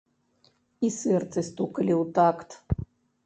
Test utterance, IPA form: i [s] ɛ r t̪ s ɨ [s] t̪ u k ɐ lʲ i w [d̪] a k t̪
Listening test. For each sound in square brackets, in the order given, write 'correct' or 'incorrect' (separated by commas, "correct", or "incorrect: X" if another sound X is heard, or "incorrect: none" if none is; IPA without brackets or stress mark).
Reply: correct, correct, incorrect: t̪